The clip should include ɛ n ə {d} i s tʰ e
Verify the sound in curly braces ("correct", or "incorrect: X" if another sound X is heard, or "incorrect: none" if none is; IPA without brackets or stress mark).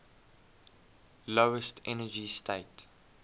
incorrect: d͡ʒ